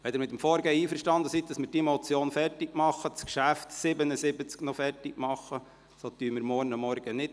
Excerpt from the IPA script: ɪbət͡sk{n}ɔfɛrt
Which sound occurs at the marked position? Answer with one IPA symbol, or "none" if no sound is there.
n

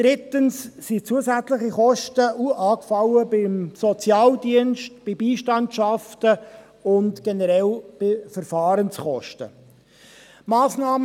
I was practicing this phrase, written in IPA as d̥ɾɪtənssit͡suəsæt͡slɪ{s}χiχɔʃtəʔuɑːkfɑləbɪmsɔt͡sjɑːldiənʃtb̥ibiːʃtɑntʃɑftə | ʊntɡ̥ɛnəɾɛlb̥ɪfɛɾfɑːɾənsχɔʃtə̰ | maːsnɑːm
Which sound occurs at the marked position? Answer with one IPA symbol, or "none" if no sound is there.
none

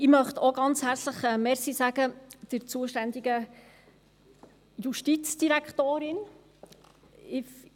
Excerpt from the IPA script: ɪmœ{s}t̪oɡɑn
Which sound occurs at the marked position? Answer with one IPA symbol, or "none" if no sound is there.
χ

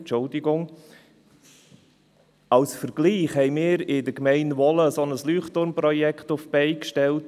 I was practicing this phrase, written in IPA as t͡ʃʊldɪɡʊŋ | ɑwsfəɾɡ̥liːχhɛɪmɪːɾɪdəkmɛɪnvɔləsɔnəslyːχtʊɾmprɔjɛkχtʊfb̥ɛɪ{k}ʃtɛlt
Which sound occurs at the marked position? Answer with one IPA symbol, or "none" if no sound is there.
k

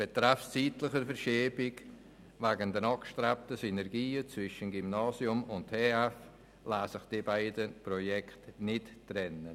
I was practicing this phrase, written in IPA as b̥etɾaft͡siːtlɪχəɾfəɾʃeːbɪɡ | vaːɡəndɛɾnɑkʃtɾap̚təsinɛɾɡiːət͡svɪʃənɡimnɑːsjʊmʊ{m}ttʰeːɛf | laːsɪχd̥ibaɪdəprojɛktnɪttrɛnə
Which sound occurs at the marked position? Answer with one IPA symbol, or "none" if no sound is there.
n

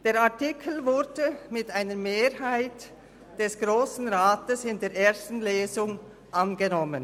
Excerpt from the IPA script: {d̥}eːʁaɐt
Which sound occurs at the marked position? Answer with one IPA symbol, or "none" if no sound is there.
d̥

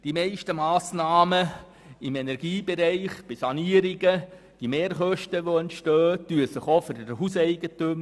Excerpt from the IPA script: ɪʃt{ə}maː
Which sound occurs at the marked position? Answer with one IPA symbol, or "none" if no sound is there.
ə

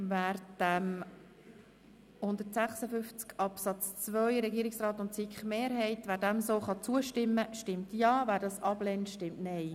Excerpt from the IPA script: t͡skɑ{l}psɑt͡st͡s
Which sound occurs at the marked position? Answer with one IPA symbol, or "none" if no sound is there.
none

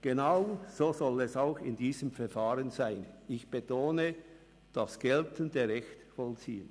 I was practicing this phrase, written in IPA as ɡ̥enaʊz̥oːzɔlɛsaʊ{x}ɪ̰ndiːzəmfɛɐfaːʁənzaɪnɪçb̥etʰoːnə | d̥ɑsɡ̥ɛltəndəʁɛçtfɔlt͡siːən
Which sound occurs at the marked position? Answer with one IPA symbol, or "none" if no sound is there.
x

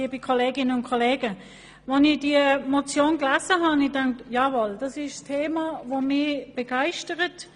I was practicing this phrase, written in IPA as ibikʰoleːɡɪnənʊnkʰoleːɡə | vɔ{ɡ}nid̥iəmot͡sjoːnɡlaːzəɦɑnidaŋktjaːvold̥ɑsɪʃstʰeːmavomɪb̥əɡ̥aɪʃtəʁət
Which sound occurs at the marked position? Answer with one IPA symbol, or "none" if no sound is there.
none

